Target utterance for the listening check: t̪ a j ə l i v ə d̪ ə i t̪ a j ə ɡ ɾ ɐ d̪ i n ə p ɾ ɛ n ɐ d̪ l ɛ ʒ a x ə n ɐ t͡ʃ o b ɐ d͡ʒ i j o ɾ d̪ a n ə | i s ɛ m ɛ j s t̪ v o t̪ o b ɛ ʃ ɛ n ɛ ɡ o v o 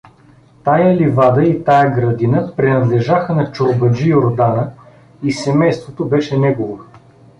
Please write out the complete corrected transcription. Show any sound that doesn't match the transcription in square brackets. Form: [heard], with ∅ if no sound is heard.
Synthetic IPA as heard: t̪ a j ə l i v [a] d̪ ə i t̪ a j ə ɡ ɾ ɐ d̪ i n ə p ɾ ɛ n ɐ d̪ l ɛ ʒ a x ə n ɐ t͡ʃ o b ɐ d͡ʒ i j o ɾ d̪ a n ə | i s ɛ m ɛ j s t̪ v o t̪ o b ɛ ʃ ɛ n ɛ ɡ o v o